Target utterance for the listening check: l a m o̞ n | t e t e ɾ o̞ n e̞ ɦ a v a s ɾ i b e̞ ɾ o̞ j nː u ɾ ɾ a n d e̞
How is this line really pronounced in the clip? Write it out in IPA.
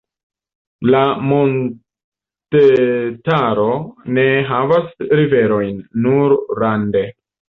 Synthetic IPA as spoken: l a m o̞ n | t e t a ɾ o̞ n e̞ ɦ a v a s ɾ i v e̞ ɾ o̞ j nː u ɾ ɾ a n d e̞